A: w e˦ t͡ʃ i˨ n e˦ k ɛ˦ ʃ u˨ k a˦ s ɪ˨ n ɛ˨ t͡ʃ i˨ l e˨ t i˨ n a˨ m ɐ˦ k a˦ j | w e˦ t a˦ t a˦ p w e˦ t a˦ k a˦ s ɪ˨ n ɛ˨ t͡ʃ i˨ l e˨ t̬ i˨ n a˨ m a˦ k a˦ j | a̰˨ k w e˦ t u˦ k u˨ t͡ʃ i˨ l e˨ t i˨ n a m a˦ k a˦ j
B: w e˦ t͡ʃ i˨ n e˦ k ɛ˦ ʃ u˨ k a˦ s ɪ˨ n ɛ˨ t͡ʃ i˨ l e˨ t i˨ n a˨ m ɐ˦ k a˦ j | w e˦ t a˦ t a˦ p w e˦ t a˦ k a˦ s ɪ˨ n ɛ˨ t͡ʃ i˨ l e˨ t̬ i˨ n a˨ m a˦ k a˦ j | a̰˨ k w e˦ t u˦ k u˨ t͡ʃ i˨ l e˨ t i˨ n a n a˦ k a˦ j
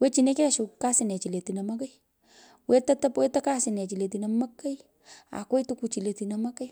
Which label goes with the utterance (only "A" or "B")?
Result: A